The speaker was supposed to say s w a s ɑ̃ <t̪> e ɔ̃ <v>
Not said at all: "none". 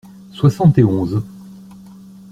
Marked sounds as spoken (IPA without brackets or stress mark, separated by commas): t̪, z